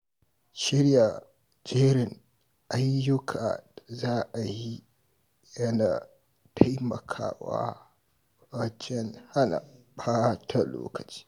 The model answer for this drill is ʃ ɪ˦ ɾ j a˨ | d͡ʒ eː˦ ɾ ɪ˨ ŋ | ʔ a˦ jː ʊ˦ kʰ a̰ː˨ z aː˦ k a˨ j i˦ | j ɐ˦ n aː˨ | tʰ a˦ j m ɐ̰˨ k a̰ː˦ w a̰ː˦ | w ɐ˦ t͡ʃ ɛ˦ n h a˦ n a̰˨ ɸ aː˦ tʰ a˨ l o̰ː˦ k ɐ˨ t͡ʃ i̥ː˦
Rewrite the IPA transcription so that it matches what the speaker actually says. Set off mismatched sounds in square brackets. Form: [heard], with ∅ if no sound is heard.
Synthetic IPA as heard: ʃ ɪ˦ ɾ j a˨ | d͡ʒ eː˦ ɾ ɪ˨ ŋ | ʔ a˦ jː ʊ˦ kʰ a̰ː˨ z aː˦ [ʔ] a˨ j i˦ | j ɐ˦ n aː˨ | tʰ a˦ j m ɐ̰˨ [kʰ] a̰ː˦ w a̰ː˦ | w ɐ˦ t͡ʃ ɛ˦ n h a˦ n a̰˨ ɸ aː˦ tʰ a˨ l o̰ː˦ k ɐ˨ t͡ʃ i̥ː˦

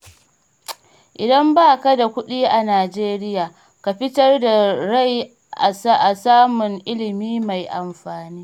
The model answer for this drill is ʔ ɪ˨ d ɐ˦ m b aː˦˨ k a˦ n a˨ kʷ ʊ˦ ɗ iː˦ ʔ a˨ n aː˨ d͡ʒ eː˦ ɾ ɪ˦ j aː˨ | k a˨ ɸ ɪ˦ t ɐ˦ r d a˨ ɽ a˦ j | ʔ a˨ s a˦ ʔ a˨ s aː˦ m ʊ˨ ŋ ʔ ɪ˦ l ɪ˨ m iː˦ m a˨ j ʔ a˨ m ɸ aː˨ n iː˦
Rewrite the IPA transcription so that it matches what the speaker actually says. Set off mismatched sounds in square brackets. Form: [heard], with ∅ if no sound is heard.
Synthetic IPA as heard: ʔ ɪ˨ d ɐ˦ m b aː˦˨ k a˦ [d] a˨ kʷ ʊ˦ ɗ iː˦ ʔ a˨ n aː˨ d͡ʒ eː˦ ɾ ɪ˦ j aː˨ | k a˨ ɸ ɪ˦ t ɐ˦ r d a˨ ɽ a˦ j | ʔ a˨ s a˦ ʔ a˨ s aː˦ m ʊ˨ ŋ ʔ ɪ˦ l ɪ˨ m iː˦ m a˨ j ʔ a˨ m ɸ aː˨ n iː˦

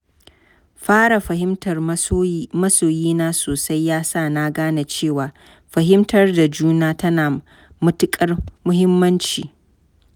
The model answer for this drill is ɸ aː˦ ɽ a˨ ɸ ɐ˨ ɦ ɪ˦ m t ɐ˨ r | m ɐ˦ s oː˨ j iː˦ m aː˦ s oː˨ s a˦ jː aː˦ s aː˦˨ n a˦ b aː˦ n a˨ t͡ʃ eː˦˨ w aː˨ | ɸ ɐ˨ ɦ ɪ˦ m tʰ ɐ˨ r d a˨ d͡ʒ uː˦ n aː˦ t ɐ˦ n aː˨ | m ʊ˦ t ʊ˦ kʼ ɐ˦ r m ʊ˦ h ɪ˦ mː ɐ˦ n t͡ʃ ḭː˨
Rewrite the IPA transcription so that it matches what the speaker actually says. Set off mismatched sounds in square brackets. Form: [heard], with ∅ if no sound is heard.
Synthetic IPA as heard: ɸ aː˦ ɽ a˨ ɸ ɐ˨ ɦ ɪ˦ m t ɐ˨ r | m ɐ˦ s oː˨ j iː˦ [n] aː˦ s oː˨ s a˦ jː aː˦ s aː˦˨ n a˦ [ɡ] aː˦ n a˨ t͡ʃ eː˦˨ w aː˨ | ɸ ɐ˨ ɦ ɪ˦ m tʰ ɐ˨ r d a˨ d͡ʒ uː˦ n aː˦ t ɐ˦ n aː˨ | m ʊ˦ t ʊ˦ kʼ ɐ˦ r m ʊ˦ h ɪ˦ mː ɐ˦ n t͡ʃ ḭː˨

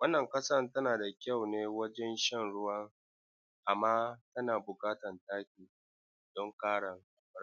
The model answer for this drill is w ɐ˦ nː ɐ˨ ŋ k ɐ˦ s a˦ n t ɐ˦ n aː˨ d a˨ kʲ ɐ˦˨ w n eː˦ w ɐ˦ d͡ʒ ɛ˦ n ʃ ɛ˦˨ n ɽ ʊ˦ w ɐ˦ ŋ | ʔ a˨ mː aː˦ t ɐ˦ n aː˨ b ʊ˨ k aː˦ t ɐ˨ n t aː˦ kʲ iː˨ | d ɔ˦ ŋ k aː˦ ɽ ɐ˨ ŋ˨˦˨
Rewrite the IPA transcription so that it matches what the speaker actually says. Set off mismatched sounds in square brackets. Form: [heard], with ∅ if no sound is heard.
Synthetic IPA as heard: w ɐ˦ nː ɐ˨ ŋ k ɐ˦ s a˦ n t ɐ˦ n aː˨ d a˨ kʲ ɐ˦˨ w n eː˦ w ɐ˦ d͡ʒ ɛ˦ n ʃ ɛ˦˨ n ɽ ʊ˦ w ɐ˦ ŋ | ʔ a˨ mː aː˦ t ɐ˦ n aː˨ b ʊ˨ k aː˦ t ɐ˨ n t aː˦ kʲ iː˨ | d ɔ˦ ŋ k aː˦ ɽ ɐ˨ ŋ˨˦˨

